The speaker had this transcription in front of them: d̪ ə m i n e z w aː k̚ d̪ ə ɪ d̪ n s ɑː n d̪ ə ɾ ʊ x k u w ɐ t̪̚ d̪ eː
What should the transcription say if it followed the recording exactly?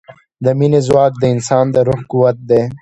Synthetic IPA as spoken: d̪ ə m i n e z w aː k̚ d̪ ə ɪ n s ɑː n d̪ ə ɾ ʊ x k u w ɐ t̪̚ d̪ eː